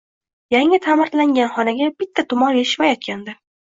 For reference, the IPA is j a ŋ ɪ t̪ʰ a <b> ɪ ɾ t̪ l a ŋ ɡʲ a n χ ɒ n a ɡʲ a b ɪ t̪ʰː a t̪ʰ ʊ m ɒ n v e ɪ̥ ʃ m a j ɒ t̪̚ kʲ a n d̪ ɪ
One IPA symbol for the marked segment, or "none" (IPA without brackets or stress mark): m